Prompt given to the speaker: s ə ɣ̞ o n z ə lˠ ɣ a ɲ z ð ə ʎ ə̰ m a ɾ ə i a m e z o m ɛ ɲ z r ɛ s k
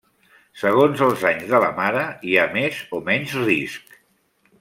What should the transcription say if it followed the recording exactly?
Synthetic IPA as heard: s ə ɣ̞ o n z ə lˠ z a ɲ z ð ə l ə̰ m a ɾ ə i a m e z o m ɛ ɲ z r i s k